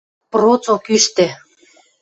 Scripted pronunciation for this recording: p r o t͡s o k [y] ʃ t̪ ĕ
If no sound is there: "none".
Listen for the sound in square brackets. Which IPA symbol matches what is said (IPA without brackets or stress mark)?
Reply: y